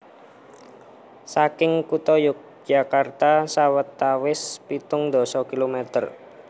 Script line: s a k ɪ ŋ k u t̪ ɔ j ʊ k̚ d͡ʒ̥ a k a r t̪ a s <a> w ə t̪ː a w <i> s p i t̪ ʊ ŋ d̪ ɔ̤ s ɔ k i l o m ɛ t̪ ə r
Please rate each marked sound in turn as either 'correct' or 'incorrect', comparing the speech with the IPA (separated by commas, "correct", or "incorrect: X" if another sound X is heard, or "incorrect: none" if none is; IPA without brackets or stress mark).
correct, incorrect: ɪ